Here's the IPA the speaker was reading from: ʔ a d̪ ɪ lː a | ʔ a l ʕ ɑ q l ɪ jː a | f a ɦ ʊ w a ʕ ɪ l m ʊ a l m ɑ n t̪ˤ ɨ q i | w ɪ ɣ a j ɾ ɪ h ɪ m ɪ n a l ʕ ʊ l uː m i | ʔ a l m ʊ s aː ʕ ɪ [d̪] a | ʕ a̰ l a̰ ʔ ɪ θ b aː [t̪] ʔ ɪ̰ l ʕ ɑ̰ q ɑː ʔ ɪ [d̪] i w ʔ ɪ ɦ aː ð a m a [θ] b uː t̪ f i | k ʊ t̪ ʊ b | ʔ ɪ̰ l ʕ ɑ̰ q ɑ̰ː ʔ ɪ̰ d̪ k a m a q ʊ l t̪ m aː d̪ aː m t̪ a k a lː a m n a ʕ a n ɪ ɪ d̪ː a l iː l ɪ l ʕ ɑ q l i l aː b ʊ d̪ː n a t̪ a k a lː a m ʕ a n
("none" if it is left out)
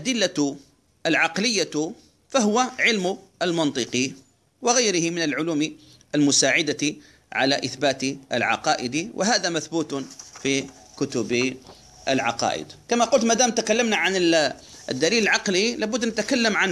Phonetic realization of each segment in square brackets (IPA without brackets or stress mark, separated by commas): d̪, t̪, d̪, θ